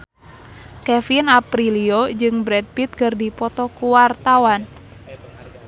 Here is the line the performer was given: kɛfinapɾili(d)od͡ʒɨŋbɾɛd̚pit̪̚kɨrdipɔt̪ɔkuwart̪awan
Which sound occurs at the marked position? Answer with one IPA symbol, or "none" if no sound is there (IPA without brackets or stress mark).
none